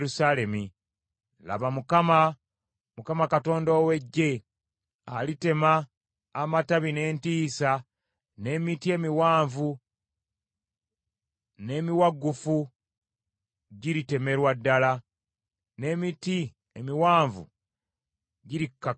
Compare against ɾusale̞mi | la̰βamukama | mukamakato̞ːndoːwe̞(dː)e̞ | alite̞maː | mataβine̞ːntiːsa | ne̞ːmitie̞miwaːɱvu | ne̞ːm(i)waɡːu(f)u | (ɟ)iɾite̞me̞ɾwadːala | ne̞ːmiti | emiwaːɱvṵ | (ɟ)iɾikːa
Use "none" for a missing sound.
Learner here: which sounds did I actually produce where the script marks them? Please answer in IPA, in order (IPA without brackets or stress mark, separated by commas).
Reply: ɟː, i, f, ɟ, ɟ